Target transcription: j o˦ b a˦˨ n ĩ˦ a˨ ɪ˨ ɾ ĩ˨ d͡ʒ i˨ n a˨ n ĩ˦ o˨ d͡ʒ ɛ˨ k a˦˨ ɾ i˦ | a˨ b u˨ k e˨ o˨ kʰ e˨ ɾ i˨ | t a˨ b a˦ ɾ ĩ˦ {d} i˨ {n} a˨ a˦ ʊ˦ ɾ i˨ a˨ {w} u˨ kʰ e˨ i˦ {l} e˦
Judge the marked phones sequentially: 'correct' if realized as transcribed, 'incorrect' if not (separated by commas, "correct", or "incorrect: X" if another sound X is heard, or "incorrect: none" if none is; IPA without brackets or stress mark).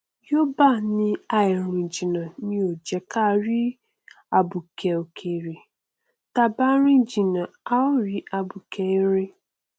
incorrect: d͡ʒ, correct, incorrect: b, incorrect: ɾ